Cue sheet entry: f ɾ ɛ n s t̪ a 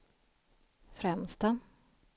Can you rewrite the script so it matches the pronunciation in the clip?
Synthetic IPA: f ɾ ɛ m s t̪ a